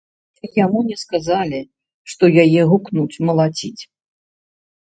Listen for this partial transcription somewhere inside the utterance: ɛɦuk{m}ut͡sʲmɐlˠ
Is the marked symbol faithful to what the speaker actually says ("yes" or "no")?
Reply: no